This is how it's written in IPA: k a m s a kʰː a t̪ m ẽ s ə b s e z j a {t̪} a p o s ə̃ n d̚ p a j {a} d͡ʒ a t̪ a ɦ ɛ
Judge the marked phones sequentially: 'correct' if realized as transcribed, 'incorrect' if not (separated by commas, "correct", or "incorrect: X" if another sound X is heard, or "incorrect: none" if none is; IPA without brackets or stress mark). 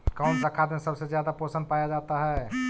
incorrect: d̪, correct